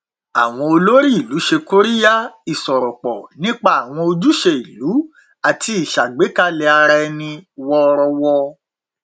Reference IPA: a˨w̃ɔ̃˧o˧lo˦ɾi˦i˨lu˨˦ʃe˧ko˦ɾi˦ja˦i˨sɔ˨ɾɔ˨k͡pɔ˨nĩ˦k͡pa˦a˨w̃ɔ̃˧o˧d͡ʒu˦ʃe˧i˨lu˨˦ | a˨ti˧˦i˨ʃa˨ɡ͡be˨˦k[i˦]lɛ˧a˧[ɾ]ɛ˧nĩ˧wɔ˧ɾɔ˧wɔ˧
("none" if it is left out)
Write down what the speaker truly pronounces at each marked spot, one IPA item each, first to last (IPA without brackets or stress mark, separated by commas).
a˦, ɾ